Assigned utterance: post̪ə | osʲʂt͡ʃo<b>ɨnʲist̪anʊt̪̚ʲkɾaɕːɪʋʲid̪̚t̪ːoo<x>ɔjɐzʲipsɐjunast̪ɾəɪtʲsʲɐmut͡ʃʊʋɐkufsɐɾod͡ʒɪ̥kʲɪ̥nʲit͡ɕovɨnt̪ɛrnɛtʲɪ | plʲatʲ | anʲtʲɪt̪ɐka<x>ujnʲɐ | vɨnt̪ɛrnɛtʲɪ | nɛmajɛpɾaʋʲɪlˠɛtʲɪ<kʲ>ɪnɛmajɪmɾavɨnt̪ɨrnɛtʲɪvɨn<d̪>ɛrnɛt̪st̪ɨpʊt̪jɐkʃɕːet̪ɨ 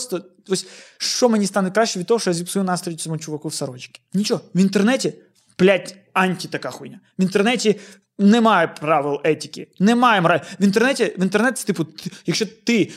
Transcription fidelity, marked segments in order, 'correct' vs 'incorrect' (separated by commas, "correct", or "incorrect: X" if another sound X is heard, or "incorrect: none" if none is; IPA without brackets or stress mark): incorrect: m, incorrect: ʂ, correct, correct, incorrect: t̪